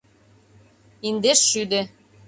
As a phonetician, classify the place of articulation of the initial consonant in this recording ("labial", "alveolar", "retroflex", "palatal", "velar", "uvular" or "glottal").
alveolar